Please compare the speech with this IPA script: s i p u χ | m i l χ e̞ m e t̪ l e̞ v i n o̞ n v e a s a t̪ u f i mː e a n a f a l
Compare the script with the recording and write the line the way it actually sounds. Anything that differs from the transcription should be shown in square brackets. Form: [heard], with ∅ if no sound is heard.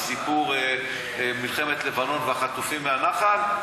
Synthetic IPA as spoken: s i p u [ʁ] | m i l χ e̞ m e t̪ l e̞ v [a] n o̞ n v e a [χ] a t̪ u f i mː e a n a [χ] a l